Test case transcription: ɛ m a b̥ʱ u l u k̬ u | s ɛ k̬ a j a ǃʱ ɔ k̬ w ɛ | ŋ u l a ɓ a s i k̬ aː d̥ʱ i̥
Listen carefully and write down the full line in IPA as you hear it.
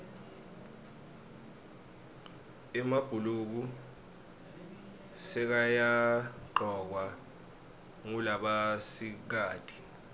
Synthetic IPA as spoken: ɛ m a b̥ʱ u l u k̬ u | s ɛ k̬ a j a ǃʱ ɔ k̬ w a | ŋ u l a ɓ a s i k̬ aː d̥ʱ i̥